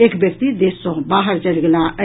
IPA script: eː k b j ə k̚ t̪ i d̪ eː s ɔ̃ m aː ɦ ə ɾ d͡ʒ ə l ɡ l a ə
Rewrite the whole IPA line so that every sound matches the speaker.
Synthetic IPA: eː k b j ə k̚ t̪ i d̪ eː s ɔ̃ b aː ɦ ə ɾ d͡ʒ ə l ɡ l a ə